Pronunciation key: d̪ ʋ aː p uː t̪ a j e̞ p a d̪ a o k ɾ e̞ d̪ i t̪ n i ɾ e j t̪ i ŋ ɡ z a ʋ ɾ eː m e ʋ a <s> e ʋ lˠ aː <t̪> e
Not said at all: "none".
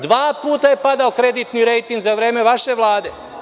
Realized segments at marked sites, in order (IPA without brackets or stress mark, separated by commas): ʃ, d̪